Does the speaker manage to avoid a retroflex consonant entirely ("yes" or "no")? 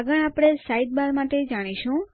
no